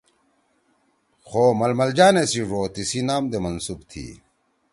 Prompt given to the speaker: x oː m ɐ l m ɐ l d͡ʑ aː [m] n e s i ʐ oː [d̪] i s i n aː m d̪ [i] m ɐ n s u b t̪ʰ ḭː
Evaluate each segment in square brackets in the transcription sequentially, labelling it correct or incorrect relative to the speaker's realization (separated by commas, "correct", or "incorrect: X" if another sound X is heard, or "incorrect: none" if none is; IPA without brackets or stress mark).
incorrect: none, incorrect: t̪, incorrect: e